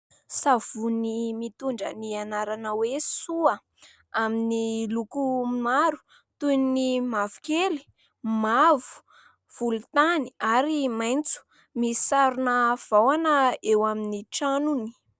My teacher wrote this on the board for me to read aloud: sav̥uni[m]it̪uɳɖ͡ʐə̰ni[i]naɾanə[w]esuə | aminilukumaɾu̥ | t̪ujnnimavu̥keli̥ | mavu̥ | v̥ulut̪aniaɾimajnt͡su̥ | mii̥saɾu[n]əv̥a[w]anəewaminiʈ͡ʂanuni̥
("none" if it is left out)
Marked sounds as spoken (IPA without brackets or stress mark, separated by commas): m, a, w, n, w